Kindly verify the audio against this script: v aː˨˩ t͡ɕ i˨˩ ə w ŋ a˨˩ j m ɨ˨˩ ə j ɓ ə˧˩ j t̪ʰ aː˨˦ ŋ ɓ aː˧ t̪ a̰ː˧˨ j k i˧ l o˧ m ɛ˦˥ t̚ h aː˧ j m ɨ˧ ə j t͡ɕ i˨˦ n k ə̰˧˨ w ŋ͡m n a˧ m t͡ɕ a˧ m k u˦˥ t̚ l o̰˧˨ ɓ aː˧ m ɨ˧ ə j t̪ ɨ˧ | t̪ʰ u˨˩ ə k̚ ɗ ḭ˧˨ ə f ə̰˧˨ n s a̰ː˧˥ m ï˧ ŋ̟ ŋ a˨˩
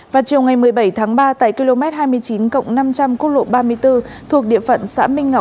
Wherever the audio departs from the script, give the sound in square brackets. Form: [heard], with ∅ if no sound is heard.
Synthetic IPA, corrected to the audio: v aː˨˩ t͡ɕ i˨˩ ə w ŋ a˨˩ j m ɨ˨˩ ə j ɓ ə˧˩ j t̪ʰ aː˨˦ ŋ ɓ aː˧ t̪ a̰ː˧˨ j k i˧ l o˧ m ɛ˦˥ t̚ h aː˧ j m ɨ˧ ə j t͡ɕ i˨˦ n k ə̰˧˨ w ŋ͡m n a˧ m t͡ɕ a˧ m k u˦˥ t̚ l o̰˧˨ ɓ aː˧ m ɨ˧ ə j t̪ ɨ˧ | t̪ʰ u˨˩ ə k̚ ɗ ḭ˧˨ ə f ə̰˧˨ n s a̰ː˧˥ m ï˧ ŋ̟ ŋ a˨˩